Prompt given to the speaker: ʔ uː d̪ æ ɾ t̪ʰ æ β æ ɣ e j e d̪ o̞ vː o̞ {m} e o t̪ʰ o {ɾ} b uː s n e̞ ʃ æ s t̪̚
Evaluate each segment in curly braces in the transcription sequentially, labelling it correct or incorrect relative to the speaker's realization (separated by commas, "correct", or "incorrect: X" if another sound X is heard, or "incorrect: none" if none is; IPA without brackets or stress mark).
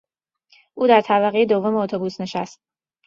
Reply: correct, incorrect: none